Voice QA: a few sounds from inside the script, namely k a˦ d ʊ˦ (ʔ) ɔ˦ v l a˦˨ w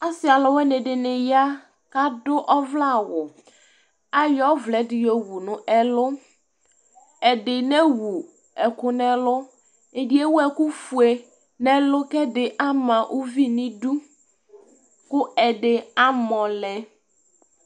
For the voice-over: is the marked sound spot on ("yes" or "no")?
yes